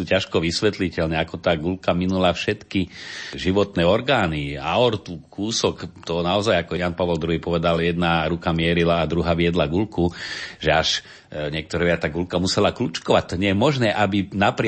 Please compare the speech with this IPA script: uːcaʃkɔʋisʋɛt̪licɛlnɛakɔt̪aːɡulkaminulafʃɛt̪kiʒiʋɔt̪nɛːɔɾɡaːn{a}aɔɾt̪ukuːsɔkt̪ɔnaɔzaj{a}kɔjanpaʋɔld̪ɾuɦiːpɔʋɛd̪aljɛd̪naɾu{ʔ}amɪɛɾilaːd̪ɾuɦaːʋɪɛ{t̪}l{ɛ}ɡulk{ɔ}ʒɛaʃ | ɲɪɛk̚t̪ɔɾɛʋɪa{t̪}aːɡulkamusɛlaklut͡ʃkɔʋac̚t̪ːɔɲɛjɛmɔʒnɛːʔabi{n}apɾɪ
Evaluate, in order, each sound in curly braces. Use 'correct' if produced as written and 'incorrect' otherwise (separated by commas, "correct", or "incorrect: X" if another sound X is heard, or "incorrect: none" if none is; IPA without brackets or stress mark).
incorrect: i, correct, incorrect: k, incorrect: d̪, incorrect: a, incorrect: u, correct, correct